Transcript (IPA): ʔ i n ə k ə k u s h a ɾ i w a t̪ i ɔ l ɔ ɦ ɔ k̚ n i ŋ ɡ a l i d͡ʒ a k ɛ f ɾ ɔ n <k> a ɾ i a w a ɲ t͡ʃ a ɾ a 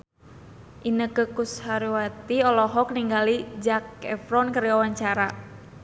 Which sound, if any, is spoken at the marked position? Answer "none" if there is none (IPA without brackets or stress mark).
k